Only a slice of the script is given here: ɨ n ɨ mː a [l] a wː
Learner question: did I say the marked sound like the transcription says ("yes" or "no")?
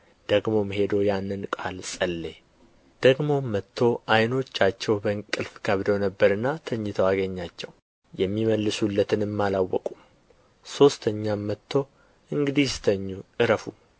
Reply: yes